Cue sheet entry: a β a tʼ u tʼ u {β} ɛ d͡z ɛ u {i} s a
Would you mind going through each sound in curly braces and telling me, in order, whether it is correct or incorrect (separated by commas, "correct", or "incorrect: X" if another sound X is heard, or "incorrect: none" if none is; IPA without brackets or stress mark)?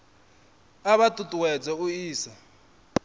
incorrect: w, incorrect: iː